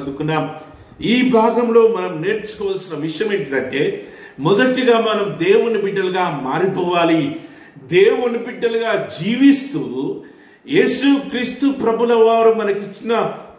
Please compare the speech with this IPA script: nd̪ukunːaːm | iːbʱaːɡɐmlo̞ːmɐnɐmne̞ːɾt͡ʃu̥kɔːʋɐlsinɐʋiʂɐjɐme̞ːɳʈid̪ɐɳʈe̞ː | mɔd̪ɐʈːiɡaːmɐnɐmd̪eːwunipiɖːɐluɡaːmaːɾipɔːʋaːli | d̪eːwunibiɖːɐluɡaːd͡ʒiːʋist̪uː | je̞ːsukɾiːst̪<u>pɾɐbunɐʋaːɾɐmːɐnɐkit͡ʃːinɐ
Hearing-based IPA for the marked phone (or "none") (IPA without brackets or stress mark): u